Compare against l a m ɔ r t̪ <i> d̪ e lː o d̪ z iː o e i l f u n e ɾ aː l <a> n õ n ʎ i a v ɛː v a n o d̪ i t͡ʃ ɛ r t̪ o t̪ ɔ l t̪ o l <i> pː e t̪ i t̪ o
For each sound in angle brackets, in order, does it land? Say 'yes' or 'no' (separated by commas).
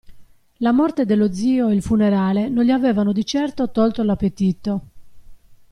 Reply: no, no, no